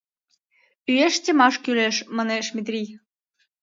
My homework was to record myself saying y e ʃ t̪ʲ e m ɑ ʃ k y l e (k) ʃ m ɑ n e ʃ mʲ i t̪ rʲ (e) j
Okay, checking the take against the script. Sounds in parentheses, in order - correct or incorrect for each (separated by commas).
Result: incorrect, incorrect